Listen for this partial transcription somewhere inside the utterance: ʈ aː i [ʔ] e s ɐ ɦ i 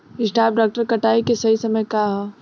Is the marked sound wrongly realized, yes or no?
yes